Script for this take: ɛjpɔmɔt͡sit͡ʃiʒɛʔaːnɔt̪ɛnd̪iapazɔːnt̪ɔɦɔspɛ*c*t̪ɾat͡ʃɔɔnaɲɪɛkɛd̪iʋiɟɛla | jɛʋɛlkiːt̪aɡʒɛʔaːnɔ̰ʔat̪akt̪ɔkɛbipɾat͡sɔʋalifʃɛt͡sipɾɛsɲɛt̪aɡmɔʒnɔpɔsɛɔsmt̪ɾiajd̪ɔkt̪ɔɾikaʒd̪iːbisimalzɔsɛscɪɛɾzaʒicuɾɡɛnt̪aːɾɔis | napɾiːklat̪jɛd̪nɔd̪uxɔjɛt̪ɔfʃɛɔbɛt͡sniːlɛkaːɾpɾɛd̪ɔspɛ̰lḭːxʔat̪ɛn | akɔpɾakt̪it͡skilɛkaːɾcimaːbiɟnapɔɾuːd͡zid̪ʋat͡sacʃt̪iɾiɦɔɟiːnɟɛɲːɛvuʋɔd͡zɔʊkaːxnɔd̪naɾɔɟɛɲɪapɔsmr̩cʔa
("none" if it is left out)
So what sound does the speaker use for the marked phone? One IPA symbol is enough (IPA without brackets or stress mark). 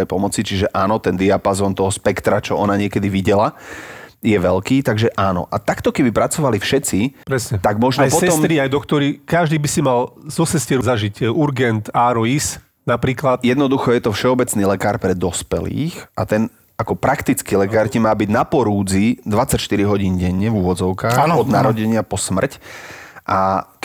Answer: k